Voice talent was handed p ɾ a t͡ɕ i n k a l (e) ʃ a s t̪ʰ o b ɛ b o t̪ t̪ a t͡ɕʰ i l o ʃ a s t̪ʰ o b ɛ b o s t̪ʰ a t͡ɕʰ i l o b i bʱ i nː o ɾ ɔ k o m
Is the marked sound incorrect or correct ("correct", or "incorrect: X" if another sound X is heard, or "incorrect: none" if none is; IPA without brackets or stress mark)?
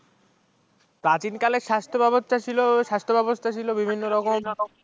correct